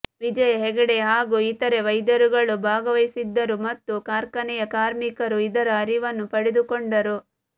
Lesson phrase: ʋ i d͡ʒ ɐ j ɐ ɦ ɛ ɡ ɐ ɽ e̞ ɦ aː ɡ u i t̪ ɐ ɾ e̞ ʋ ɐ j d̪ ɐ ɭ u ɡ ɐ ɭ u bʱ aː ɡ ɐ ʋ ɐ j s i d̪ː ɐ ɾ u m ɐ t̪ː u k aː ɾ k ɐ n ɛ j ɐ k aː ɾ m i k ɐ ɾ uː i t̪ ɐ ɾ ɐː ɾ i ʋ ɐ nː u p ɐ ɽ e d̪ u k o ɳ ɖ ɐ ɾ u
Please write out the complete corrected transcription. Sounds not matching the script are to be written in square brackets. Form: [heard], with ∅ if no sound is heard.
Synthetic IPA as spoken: ʋ i d͡ʒ ɐ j ɐ ɦ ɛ ɡ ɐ ɽ e̞ ɦ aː ɡ u i t̪ ɐ ɾ e̞ ʋ ɐ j d̪ ɐ [ɾ] u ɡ ɐ ɭ u bʱ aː ɡ ɐ ʋ ɐ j s i d̪ː ɐ ɾ u m ɐ t̪ː u k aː ɾ k ɐ n ɛ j ɐ k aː ɾ m i k ɐ ɾ [u] i [d̪] ɐ ɾ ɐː ɾ i ʋ ɐ nː u p ɐ ɽ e d̪ u k o ɳ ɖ ɐ ɾ u